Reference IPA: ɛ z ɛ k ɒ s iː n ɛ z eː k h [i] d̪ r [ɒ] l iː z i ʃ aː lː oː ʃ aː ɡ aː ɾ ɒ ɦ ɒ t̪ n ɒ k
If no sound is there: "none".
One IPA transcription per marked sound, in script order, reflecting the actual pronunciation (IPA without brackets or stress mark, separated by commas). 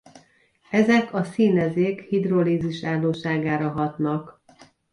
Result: i, o